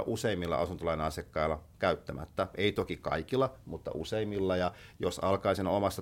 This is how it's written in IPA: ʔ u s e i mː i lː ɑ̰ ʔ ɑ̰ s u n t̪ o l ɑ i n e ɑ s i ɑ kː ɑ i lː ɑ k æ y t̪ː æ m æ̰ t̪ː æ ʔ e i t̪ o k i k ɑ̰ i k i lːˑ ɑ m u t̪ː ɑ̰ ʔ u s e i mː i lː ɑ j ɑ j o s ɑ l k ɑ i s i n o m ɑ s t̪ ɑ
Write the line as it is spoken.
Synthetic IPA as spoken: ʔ u s e i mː i lː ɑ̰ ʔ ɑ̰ s u n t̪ o l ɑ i n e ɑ s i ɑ kː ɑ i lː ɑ k æ y t̪ː æ m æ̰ t̪ː æ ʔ e i t̪ o k i k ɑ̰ i k i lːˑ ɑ m u t̪ː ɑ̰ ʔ u s e i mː i lː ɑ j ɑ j o s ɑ l k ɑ i s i n o m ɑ s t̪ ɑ